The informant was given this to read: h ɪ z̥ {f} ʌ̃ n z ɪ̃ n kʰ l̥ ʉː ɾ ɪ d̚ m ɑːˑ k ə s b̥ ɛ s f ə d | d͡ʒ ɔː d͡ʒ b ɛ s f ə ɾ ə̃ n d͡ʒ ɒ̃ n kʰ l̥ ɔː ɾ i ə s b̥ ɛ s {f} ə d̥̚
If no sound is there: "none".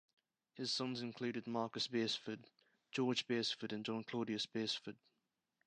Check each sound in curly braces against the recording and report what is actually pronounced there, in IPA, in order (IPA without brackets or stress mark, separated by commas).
s, f